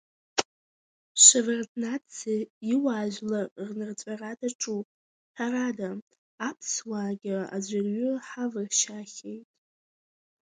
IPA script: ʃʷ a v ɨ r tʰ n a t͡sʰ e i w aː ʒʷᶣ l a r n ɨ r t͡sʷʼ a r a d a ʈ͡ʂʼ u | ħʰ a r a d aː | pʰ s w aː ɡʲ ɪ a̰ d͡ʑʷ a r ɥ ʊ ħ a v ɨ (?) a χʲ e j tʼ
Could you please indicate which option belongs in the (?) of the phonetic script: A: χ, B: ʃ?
B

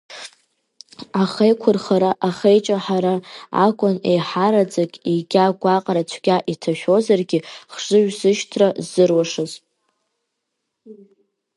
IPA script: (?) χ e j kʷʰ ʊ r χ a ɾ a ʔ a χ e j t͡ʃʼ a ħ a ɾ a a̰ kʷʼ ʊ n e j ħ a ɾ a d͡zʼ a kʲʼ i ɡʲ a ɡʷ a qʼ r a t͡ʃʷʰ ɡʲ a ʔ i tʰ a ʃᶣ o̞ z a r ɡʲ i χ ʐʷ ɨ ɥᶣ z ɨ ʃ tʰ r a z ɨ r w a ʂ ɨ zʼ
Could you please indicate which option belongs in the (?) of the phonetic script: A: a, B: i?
A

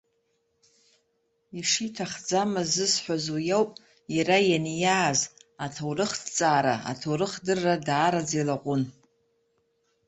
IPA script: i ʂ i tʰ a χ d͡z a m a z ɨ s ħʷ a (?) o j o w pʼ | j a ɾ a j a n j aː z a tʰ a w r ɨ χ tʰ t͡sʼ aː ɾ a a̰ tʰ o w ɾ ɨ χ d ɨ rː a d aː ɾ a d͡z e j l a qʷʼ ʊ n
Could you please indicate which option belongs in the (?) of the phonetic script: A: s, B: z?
B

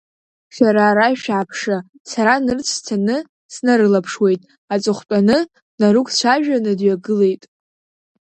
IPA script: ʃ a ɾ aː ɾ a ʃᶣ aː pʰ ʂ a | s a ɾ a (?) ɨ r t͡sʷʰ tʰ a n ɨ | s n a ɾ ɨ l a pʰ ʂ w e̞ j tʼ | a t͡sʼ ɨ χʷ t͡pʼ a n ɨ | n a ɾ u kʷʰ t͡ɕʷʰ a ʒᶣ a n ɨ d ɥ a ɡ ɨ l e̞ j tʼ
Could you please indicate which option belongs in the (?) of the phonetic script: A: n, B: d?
A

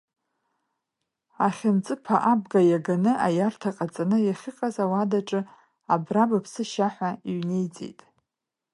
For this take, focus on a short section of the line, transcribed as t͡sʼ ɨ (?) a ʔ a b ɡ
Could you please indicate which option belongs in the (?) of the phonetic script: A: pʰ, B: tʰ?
A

